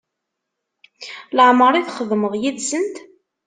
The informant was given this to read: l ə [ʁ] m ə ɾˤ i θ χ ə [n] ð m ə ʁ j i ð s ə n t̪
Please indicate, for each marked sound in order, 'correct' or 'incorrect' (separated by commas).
incorrect, incorrect